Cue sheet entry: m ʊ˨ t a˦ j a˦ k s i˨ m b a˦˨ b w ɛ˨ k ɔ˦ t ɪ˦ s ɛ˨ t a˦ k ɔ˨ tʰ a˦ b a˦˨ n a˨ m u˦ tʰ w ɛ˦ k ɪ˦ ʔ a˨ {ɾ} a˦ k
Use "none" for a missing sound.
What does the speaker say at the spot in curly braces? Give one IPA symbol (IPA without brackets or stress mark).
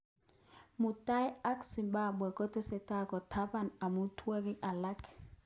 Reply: l